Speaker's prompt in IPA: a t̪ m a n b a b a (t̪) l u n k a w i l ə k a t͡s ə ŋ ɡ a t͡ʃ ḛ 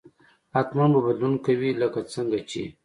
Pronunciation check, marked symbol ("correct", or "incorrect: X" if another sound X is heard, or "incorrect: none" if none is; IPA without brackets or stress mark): incorrect: d̪